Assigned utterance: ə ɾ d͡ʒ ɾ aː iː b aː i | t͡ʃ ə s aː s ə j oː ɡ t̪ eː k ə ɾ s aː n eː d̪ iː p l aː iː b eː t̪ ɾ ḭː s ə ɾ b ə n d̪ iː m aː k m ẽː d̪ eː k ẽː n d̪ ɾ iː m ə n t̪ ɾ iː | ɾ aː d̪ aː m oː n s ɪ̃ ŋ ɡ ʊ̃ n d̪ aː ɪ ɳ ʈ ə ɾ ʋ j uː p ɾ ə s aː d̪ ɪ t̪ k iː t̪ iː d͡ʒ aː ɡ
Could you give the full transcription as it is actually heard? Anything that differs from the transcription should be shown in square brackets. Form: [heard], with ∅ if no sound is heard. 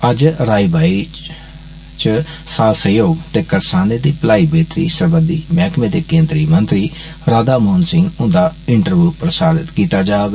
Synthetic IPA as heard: ə [∅] d͡ʒ ɾ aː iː b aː i | t͡ʃ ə s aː s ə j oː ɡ t̪ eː k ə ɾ s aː n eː d̪ iː p l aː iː b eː t̪ ɾ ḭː s ə ɾ b ə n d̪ iː m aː k m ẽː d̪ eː k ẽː n d̪ ɾ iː m ə n t̪ ɾ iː | ɾ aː d̪ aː m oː n s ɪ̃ ŋ ɡ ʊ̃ n d̪ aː ɪ ɳ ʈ ə ɾ ʋ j uː p ɾ ə s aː d̪ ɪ t̪ k iː t̪ [aː] d͡ʒ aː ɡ